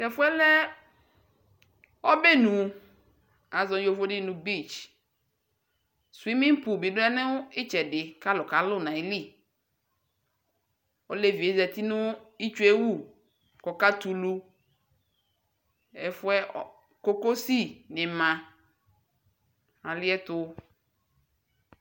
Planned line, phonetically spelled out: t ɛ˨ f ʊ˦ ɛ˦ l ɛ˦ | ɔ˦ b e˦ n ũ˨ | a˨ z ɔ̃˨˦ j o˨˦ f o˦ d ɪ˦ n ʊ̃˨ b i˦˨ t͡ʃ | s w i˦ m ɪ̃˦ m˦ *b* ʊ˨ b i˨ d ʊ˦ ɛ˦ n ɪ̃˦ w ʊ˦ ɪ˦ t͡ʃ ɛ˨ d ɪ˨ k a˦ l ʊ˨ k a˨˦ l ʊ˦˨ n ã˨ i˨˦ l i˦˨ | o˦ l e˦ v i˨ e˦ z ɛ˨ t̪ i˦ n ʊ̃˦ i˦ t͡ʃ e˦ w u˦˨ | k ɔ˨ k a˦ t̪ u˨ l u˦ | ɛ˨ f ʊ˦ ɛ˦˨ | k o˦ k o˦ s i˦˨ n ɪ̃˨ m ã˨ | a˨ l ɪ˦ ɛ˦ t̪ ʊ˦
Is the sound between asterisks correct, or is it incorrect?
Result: incorrect